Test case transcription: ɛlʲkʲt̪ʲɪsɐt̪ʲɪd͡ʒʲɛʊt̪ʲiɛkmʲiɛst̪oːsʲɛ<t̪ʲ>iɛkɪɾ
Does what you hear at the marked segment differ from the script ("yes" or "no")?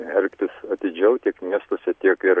no